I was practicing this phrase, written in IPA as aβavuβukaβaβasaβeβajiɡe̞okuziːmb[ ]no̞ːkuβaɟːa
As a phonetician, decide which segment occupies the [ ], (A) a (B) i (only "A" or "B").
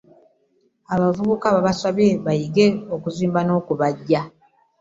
A